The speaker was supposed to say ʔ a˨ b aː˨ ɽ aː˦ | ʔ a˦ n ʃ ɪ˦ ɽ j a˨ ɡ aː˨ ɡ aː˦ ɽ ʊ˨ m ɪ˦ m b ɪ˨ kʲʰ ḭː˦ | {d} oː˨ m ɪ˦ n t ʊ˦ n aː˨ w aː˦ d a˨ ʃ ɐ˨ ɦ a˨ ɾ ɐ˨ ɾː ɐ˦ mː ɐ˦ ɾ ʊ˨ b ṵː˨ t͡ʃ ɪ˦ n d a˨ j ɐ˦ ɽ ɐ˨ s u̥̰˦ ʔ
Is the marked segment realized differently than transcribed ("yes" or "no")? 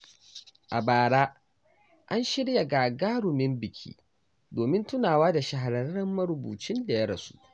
no